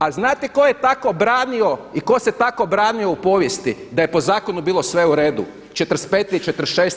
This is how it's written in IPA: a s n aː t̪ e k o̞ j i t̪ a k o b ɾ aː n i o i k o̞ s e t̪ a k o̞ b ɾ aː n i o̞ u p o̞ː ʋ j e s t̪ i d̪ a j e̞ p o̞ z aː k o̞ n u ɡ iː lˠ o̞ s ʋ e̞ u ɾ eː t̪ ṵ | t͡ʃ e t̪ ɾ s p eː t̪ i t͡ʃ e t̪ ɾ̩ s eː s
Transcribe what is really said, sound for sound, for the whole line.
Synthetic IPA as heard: a z n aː t̪ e k o̞ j e t̪ a k o b ɾ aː n i o i k o̞ s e t̪ a k o̞ b ɾ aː n i o̞ u p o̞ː ʋ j e s t̪ i d̪ a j e̞ p o̞ z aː k o̞ n u b iː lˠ o̞ s ʋ e̞ u ɾ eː d̪ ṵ | t͡ʃ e t̪ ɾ s p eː t̪ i t͡ʃ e t̪ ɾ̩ ʃ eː s